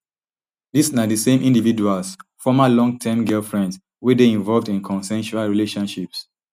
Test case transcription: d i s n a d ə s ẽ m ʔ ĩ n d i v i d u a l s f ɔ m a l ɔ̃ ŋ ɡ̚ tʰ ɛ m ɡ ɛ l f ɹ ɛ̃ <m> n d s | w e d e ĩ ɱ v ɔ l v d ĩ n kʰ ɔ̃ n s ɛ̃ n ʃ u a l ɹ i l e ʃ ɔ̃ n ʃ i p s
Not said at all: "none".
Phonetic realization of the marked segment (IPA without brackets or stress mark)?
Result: none